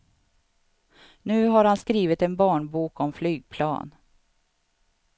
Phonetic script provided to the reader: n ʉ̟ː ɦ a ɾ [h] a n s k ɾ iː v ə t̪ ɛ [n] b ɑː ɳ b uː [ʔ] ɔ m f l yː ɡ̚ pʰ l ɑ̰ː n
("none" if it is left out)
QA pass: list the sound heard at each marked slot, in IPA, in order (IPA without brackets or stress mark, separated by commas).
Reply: h, n, k